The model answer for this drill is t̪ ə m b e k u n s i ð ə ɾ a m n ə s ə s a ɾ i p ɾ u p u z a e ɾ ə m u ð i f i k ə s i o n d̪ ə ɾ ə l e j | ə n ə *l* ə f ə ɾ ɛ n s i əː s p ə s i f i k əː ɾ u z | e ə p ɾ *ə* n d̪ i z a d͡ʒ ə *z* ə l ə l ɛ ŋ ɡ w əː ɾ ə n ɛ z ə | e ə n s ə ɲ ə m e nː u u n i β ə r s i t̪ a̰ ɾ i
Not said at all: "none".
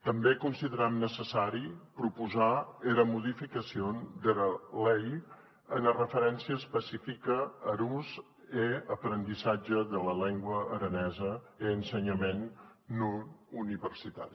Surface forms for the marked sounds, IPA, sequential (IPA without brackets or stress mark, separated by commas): r, ə, ð